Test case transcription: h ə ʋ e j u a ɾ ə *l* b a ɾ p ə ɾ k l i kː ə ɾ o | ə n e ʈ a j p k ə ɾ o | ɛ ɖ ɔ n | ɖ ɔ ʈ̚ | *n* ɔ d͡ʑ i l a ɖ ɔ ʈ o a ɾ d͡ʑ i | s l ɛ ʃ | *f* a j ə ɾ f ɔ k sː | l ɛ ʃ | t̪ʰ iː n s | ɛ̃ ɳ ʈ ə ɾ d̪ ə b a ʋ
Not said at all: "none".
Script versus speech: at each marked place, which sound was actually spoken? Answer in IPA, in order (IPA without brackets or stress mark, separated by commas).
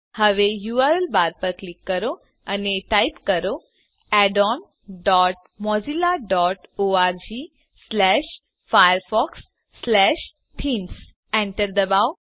l, m, f